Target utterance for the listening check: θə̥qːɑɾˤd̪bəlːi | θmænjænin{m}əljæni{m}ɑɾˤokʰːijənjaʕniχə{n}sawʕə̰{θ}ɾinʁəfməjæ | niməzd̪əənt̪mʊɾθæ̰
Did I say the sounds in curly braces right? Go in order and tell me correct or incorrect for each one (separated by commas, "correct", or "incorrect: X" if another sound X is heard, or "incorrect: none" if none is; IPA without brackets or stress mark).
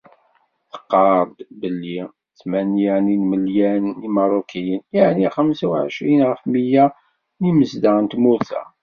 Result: correct, correct, incorrect: m, incorrect: ʃ